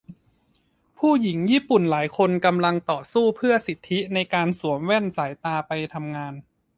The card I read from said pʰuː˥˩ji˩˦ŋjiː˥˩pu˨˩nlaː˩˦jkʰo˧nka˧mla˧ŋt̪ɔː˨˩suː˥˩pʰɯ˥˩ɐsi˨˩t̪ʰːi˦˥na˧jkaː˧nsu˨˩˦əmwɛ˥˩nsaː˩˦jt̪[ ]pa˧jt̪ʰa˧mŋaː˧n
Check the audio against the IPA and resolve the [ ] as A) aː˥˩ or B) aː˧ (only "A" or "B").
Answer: B